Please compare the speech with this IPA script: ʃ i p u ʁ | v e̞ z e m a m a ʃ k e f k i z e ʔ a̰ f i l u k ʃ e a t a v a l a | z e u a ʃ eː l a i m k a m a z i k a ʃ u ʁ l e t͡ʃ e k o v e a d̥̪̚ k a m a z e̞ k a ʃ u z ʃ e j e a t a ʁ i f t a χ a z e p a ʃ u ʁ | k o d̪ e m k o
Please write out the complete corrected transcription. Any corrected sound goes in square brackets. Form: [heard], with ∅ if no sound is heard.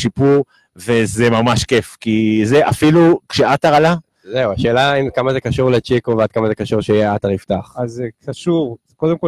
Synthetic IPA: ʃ i p u ʁ | v e̞ z e m a m a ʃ k e f k i z e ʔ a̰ f i l u k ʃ e a t a [ʁ] a l a | z e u a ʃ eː l a i m k a m a z [e] k a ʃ u ʁ l e t͡ʃ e k o v e a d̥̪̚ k a m a z e̞ k a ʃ u [ʁ] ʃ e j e a t a ʁ i f t a χ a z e [k] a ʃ u ʁ | k o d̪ e m k o